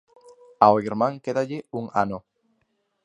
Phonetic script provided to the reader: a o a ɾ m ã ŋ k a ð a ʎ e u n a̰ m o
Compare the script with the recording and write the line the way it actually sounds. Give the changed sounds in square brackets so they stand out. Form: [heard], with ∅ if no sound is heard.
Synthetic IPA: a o [i] ɾ m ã ŋ k [e] ð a ʎ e u [ŋ] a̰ [n] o